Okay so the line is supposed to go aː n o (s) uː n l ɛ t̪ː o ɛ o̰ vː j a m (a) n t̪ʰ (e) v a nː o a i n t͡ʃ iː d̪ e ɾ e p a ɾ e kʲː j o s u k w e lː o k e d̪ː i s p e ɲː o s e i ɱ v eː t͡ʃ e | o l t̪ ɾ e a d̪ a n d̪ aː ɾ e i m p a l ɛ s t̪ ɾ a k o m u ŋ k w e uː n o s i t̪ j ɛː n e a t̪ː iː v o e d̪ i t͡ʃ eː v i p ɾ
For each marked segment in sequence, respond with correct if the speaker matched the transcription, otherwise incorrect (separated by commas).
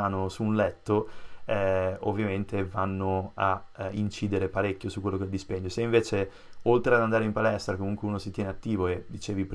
correct, incorrect, correct